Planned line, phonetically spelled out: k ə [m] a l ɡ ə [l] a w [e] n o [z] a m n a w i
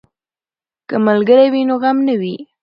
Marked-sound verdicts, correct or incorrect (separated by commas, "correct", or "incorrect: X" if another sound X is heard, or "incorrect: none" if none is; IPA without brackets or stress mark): correct, incorrect: ɾ, incorrect: i, incorrect: ɣ